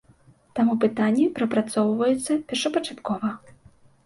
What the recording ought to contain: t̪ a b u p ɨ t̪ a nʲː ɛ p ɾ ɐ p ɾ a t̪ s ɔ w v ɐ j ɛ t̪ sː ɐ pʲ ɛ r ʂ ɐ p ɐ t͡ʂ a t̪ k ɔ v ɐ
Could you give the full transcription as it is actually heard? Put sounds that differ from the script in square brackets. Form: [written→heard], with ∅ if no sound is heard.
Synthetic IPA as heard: t̪ a [b→m] u p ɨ t̪ a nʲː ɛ p ɾ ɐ p ɾ a t̪ s ɔ w v ɐ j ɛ t̪ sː ɐ pʲ ɛ r ʂ ɐ p ɐ t͡ʂ a t̪ k ɔ v ɐ